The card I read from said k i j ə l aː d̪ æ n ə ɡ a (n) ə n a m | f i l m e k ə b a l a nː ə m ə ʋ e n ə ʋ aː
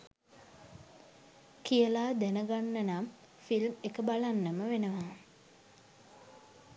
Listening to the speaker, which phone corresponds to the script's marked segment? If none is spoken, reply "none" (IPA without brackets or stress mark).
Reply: nː